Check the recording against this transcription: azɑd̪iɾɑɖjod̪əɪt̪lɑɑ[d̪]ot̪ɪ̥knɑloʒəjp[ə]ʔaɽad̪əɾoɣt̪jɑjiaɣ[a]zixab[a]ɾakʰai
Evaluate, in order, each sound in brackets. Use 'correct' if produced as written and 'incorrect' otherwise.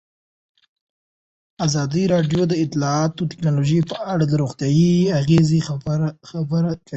incorrect: t̪, correct, incorrect: e, incorrect: ə

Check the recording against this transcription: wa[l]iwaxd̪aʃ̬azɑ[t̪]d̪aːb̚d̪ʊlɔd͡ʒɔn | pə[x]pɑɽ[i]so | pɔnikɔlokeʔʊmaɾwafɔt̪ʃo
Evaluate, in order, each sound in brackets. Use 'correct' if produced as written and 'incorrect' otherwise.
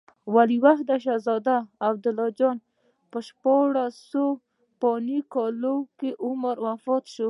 correct, incorrect: none, incorrect: ʃ, incorrect: a

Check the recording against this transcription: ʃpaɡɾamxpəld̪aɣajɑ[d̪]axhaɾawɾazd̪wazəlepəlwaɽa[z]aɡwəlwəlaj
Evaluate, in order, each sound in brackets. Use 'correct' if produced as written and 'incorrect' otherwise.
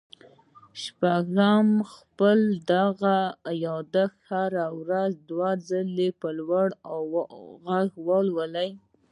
correct, incorrect: ɣ

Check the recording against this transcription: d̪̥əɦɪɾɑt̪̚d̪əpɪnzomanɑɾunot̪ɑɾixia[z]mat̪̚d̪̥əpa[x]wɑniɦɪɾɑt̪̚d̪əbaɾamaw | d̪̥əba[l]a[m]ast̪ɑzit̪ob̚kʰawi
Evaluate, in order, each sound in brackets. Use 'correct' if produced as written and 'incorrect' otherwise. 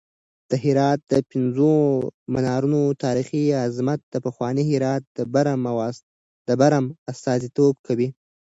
correct, correct, incorrect: ɾ, correct

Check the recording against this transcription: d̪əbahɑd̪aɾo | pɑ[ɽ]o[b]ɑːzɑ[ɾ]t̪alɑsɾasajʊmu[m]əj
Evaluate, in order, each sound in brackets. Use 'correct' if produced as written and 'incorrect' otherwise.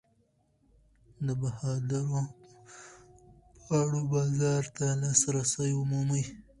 correct, correct, correct, correct

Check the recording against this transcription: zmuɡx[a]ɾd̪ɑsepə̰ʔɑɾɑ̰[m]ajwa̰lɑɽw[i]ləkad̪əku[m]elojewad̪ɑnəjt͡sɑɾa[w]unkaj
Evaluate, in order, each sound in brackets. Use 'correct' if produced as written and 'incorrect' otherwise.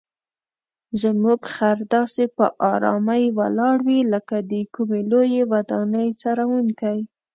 correct, correct, correct, correct, correct

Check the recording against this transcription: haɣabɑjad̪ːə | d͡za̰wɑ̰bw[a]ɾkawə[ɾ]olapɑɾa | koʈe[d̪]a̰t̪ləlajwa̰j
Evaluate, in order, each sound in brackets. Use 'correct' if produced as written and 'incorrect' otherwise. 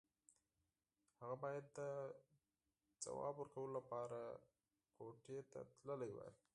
incorrect: ə, incorrect: l, incorrect: t̪

